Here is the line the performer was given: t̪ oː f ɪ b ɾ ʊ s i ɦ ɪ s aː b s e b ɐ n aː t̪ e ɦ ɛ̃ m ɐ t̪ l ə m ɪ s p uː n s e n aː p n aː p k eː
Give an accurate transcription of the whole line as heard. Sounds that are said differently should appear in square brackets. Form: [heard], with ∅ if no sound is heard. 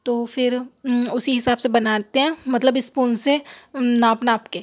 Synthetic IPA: t̪ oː f ɪ [∅] ɾ ʊ s i ɦ ɪ s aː b s e b ɐ n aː t̪ e ɦ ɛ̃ m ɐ t̪ l ə [b] ɪ s p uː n s e n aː p n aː p k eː